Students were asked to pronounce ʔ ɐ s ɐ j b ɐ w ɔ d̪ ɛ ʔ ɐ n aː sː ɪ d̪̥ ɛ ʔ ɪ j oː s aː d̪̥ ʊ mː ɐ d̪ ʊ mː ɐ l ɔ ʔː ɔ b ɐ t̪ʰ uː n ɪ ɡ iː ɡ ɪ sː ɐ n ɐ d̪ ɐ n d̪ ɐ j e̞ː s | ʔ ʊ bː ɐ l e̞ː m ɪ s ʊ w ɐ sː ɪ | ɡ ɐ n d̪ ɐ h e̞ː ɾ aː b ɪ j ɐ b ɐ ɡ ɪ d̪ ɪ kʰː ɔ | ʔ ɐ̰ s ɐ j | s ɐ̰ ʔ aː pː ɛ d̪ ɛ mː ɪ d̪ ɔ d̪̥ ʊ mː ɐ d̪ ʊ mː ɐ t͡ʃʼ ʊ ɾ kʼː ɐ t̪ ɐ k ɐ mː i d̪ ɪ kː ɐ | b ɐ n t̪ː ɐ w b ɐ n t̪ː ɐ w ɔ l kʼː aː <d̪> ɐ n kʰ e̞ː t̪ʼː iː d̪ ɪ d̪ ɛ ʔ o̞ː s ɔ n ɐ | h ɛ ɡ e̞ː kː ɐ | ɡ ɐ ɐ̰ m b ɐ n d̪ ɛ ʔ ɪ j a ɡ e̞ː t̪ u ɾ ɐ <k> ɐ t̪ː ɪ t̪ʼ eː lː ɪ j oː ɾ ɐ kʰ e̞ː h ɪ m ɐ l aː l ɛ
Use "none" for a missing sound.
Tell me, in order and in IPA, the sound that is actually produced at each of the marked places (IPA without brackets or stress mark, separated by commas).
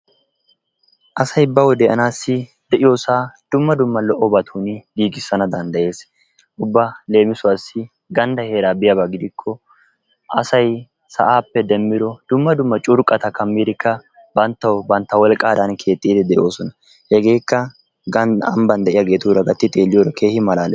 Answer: d̪, ɡ